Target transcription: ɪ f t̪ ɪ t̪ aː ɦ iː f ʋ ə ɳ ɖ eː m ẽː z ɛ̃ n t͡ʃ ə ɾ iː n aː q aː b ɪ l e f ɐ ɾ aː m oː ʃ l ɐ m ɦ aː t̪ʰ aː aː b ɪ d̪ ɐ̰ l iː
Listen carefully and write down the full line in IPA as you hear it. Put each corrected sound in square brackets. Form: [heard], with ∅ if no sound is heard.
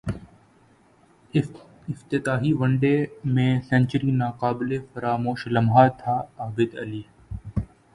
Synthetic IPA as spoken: ɪ f t̪ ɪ t̪ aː ɦ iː [∅] ʋ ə ɳ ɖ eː m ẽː [s] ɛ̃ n t͡ʃ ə ɾ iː n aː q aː b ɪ l e f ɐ ɾ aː m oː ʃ l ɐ m ɦ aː t̪ʰ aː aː b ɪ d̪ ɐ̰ l iː